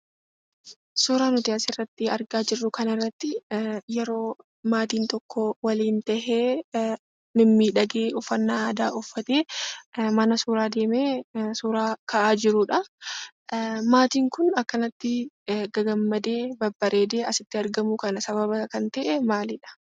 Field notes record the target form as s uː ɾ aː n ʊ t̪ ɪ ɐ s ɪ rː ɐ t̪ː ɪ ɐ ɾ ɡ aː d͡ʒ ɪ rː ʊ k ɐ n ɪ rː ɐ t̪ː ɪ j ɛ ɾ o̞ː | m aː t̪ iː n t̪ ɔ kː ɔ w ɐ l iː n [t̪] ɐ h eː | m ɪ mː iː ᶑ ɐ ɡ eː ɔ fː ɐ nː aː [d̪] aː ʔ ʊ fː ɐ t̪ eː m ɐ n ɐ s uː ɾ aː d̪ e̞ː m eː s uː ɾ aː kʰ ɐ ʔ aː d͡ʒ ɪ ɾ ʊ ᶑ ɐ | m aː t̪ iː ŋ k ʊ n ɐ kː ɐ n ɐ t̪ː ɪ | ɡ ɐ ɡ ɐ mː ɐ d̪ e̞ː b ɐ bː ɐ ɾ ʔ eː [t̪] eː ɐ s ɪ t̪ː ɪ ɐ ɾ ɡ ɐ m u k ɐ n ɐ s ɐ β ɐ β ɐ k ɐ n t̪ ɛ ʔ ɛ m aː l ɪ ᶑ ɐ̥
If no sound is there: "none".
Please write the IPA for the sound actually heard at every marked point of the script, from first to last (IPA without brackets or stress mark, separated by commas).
t̪, d̪, d̪